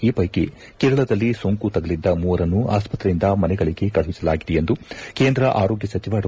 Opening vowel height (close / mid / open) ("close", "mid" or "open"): close